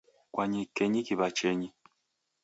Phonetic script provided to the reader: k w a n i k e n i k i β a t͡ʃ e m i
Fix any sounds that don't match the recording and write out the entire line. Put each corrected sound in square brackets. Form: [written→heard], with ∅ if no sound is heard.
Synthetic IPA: k w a [n→ɲ] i k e [n→ɲ] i k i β a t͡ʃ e [m→ɲ] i